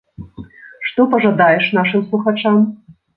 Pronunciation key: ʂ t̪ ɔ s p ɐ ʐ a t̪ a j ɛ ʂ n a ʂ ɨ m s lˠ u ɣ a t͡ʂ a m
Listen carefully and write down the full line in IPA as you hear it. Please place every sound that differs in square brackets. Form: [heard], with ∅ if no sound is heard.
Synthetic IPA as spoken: ʂ t̪ ɔ [∅] p ɐ ʐ a [d̪] a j ɛ ʂ n a ʂ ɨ m s lˠ u [x] a t͡ʂ a m